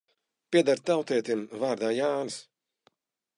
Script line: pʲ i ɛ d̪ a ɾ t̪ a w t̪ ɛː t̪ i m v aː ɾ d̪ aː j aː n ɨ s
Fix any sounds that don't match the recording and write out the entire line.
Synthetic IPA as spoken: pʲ i ɛ d̪ a ɾ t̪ a w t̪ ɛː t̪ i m v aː ɾ d̪ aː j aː n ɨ s

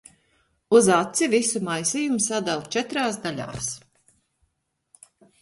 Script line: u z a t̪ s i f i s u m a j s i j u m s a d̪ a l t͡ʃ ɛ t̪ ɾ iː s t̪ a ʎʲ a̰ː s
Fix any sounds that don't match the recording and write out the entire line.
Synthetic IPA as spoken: u z a t̪ s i v i s u m a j s i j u m s a d̪ a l t͡ʃ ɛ t̪ ɾ aː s d̪ a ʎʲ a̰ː s

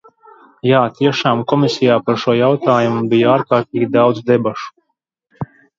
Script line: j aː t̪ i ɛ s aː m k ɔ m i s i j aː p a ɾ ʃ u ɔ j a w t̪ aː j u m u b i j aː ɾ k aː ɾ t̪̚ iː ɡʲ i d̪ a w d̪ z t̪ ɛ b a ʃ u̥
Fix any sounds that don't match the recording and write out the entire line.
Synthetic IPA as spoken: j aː t̪ i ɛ ʃ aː m k ɔ m i s i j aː p a ɾ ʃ u ɔ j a w t̪ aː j u m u b i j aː ɾ k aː ɾ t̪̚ iː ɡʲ i d̪ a w d̪ z d̪ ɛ b a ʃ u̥

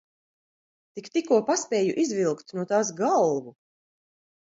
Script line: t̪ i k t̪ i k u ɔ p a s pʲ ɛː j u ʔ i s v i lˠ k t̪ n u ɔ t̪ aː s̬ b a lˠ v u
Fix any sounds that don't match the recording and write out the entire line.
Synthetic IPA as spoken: t̪ i k t̪ i k u ɔ p a s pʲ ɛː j u ʔ i z v i lˠ k t̪ n u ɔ t̪ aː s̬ ɡ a lˠ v u

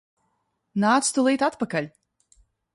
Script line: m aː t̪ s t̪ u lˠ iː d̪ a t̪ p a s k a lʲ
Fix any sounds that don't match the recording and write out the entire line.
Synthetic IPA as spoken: n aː t̪ s t̪ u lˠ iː t̪ a t̪ p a k a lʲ

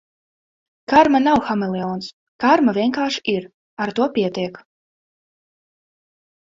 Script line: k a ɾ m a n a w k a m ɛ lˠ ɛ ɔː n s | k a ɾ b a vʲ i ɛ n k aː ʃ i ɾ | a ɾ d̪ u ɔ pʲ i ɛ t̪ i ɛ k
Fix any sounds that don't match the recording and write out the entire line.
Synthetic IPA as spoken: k a ɾ m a n a w x a m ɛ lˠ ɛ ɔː n s | k a ɾ m a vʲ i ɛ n k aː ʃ i ɾ | a ɾ t̪ u ɔ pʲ i ɛ t̪ i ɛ k

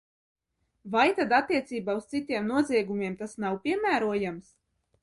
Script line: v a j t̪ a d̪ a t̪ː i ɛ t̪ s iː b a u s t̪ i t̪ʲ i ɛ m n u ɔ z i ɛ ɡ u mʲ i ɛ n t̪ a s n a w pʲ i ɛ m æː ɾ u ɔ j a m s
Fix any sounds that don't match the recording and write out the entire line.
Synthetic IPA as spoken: v a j t̪ a d̪ a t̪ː i ɛ t̪ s iː b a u s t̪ i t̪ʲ i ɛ m n u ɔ z i ɛ ɡ u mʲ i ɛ m t̪ a s n a w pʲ i ɛ m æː ɾ u ɔ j a m s

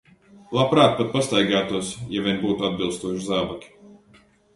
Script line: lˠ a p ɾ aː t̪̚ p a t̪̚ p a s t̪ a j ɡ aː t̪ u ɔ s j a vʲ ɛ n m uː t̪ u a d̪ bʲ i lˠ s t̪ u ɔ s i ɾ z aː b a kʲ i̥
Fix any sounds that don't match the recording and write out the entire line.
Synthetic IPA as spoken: lˠ a p ɾ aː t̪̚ p a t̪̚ p a s t̪ a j ɡ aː t̪ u ɔ s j a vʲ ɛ n b uː t̪ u a d̪ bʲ i lˠ s t̪ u ɔ ʃ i z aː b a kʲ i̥

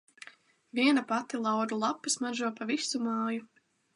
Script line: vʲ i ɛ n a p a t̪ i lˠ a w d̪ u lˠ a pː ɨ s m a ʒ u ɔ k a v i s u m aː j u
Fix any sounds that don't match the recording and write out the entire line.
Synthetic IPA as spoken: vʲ i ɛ n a p a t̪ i lˠ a w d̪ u lˠ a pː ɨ s m a ʒ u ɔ p a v i s u m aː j u

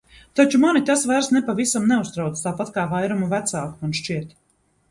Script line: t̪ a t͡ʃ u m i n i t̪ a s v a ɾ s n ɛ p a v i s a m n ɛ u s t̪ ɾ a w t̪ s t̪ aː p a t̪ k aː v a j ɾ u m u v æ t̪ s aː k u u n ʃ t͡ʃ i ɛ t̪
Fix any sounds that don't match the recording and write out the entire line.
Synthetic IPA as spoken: t̪ a t͡ʃ u m a n i t̪ a s v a ɾ s n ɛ p a v i s a m n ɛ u s t̪ ɾ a w t̪ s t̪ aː p a t̪ k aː v a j ɾ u m u v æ t̪ s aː k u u n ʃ t͡ʃ i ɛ t̪

